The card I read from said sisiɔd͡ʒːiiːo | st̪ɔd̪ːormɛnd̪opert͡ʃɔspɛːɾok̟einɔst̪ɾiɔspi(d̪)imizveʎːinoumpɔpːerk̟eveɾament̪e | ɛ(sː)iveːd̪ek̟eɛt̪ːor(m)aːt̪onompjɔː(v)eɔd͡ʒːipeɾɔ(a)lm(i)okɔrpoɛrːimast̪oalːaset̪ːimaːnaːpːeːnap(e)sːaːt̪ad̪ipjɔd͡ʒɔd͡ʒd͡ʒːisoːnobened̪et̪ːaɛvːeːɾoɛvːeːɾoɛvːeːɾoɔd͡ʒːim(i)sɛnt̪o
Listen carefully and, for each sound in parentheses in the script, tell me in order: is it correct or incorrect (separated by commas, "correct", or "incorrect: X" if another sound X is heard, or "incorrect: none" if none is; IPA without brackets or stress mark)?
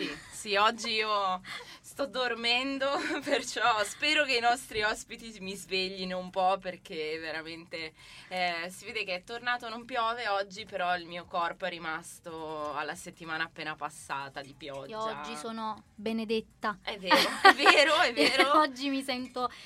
incorrect: t̪, incorrect: s, incorrect: n, correct, incorrect: i, incorrect: iː, incorrect: a, correct